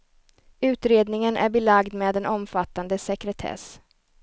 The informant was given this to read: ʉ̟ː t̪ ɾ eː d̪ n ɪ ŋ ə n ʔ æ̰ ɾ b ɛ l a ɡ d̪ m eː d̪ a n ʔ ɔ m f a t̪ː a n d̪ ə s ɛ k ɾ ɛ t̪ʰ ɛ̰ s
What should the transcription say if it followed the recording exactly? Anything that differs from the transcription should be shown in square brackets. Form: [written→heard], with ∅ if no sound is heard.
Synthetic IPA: ʉ̟ː t̪ ɾ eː d̪ n ɪ ŋ ə n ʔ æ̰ ɾ b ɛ l a ɡ d̪ m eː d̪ [a→ɛ] n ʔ ɔ m f a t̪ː a n d̪ ə s ɛ k ɾ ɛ t̪ʰ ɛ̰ s